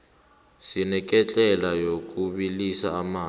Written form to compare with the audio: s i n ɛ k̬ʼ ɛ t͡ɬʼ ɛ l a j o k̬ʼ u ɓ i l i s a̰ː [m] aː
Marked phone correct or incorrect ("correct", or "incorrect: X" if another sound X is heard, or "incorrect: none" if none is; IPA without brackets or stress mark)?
correct